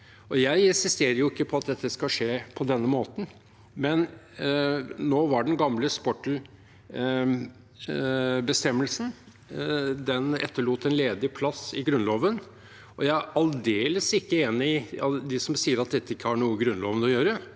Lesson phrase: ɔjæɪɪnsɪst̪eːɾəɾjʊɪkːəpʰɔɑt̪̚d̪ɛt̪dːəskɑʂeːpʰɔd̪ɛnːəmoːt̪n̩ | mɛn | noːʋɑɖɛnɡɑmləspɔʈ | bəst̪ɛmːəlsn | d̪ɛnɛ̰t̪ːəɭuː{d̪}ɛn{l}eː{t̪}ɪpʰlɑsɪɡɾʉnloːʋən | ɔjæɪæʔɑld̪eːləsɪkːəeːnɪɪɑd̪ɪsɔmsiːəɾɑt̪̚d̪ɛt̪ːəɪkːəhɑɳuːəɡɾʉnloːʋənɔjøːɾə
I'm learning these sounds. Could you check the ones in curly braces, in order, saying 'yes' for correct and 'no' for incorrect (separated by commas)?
no, yes, no